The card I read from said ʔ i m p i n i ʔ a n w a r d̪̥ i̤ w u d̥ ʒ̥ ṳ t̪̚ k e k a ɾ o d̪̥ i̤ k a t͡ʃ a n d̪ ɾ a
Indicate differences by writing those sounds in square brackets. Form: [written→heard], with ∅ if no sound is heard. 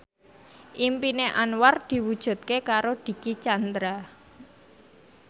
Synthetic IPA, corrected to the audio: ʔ i m p i n [i→e] ʔ a n w a r d̪̥ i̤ w u d̥ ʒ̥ ṳ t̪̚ k e k a ɾ o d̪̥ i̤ k [a→i] t͡ʃ a n d̪ ɾ a